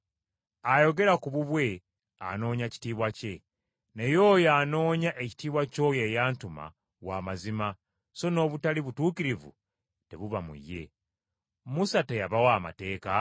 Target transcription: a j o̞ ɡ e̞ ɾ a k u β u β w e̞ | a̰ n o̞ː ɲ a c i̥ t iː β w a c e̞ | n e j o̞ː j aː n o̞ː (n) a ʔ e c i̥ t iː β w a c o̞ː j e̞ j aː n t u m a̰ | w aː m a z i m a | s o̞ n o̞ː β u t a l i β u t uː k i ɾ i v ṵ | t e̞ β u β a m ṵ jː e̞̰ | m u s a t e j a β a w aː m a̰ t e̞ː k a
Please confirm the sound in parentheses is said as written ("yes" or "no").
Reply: no